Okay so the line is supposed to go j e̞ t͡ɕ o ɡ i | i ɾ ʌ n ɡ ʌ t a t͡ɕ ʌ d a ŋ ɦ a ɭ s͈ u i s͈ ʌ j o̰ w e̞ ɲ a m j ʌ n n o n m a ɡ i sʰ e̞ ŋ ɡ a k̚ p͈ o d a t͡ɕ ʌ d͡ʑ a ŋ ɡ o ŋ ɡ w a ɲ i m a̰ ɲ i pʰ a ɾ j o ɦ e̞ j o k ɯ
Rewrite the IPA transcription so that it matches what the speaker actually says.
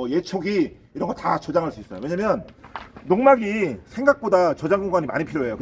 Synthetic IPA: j e̞ t͡ɕʰ o ɡ i | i ɾ ʌ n ɡ ʌ t a t͡ɕ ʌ d͡ʑ a ŋ ɦ a ɭ s͈ u i s͈ ʌ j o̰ w e̞ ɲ a m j ʌ n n o ŋ m a ɡ i sʰ e̞ ŋ ɡ a k̚ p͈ o d a t͡ɕ ʌ d͡ʑ a ŋ ɡ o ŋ ɡ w a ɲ i m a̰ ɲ i pʰ i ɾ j o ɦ e̞ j o k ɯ